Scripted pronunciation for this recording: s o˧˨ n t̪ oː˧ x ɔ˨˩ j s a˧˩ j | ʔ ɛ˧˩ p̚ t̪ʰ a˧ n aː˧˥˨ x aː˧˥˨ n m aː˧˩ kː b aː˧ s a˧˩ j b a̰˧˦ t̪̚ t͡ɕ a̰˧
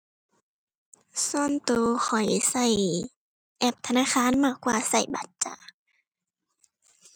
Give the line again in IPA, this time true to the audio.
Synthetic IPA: s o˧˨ n t̪ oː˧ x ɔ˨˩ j s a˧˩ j | ʔ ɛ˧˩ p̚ t̪ʰ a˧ n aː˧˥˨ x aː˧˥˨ n m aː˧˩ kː w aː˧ s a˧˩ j b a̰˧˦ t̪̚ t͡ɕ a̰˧

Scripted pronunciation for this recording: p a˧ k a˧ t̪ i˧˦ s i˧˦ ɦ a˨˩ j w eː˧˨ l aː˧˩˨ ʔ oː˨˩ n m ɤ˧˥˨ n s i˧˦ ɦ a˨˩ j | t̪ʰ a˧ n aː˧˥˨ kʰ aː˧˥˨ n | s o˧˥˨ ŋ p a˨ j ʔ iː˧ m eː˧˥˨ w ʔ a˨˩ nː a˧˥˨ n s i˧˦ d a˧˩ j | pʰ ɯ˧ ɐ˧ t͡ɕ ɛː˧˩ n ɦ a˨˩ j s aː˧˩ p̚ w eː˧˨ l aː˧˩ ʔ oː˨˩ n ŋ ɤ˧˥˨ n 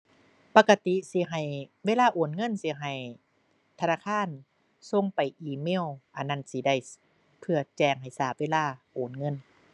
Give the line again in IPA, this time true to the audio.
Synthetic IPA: p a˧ k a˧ t̪ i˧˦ s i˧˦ ɦ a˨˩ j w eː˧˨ l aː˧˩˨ ʔ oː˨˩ n ŋ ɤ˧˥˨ n s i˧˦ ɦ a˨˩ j | t̪ʰ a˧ n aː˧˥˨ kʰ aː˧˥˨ n | s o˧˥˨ ŋ p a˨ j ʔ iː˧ m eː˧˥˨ w ʔ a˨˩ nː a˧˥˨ n s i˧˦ d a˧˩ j | pʰ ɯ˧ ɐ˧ t͡ɕ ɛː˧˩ ŋ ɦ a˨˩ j s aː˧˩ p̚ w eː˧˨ l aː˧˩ ʔ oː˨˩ n ŋ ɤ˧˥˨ n

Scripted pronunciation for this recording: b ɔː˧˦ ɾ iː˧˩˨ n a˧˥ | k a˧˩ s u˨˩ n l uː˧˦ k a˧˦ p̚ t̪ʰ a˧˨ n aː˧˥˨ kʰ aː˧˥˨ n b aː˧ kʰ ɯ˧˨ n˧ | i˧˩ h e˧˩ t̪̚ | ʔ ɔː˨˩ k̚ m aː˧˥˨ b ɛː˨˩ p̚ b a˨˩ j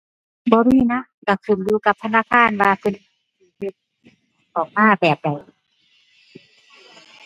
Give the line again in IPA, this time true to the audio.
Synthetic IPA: b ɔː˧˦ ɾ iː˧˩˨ n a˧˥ | k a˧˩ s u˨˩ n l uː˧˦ k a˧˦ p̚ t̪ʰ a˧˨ n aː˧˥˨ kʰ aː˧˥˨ n w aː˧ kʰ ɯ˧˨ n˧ | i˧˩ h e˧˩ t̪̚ | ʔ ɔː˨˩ k̚ m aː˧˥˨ b ɛː˨˩ p̚ d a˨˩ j

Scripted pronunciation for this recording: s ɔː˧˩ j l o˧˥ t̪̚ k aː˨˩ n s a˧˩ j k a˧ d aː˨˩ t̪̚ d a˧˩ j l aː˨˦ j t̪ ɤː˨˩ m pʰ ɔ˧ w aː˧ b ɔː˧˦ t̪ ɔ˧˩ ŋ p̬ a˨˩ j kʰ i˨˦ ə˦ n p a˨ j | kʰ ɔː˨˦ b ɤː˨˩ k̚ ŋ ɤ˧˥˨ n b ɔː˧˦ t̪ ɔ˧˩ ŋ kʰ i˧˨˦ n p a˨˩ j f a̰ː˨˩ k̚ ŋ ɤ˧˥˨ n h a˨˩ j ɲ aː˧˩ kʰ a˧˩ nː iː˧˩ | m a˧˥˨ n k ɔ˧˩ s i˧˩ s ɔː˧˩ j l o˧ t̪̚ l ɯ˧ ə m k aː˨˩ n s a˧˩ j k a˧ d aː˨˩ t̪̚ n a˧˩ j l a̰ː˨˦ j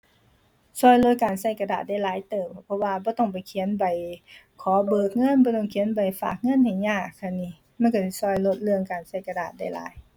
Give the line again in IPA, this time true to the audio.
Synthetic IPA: s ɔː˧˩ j l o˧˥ t̪̚ k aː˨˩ n s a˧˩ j k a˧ d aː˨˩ t̪̚ d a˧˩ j l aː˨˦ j t̪ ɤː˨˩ m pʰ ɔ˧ w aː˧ b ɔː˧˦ t̪ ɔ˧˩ ŋ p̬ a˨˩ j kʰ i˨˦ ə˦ n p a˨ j | kʰ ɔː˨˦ b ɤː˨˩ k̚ ŋ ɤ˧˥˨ n b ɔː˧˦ t̪ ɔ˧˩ ŋ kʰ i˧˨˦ n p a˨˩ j f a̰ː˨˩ k̚ ŋ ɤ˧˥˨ n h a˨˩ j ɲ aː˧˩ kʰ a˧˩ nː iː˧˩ | m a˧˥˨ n k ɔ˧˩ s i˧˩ s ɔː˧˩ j l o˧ t̪̚ l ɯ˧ ə ŋ k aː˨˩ n s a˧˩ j k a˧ d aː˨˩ t̪̚ d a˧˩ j l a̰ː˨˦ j

